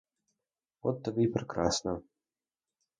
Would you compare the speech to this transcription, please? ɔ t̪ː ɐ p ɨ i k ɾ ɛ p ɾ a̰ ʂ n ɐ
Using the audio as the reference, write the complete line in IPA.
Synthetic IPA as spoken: ɔ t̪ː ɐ b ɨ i p ɾ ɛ k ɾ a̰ s n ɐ